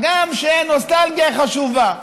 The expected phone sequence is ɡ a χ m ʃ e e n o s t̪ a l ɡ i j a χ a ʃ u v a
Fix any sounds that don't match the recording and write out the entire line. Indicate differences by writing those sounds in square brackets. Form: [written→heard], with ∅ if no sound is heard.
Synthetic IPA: ɡ a [χ→∅] m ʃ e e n o s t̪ a l ɡ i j a χ a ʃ u v a